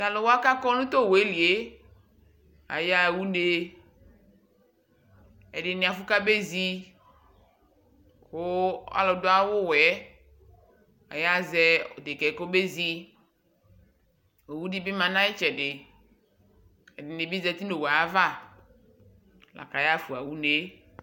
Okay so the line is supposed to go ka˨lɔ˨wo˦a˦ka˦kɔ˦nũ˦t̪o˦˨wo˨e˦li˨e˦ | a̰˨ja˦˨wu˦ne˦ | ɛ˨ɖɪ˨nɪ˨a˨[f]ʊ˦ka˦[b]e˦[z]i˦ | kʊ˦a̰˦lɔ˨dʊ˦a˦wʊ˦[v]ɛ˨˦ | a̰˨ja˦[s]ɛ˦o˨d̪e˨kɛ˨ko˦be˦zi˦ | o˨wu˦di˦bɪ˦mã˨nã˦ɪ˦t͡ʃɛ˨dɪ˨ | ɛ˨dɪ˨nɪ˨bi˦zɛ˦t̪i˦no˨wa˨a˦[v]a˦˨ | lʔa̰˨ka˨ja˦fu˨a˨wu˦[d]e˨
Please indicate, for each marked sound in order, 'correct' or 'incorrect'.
correct, correct, correct, incorrect, incorrect, correct, incorrect

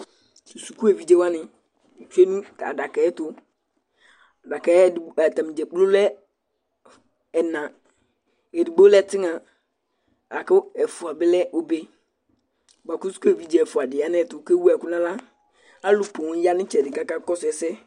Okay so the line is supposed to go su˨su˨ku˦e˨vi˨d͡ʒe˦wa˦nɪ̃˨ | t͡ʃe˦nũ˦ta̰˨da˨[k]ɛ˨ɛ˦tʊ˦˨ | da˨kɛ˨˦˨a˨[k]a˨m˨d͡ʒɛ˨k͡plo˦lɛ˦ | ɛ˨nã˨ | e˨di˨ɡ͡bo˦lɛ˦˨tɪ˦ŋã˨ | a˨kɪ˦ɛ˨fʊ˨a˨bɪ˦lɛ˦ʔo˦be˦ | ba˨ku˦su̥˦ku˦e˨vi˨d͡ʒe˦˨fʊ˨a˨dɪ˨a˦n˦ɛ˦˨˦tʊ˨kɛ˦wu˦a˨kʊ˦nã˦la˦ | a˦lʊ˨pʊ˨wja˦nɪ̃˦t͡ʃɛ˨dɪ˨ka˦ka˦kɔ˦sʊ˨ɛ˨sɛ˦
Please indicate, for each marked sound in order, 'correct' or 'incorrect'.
correct, incorrect

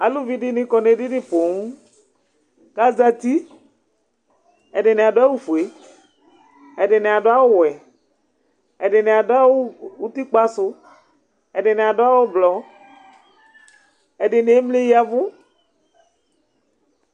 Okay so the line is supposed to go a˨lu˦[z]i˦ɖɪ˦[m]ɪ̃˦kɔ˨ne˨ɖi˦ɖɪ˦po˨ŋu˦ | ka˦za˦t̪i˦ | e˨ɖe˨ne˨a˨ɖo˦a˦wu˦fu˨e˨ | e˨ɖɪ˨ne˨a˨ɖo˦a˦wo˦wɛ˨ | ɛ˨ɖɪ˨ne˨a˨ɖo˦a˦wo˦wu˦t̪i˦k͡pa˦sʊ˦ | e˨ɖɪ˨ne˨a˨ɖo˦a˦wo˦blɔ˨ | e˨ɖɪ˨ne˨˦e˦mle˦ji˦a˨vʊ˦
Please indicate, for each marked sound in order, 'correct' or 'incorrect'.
incorrect, incorrect

